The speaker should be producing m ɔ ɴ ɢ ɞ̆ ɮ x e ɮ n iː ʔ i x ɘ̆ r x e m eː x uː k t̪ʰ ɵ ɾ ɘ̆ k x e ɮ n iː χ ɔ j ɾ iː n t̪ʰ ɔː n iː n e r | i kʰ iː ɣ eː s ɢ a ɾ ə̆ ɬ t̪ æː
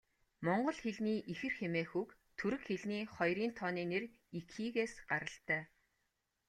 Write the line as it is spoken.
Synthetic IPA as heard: m ɔ ɴ ɢ ɞ̆ ɮ x e ɮ n iː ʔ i x ɘ̆ r x e m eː x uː k t̪ʰ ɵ ɾ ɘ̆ k x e ɮ n iː χ ɔ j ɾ iː n t̪ʰ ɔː n iː n e r | i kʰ iː ɣ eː s ɢ a ɾ ə̆ ɬ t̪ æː